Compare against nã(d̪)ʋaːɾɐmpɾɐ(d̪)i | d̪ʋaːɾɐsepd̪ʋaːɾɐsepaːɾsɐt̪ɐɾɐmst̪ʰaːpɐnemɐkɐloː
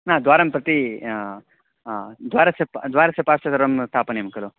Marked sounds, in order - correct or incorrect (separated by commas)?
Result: correct, incorrect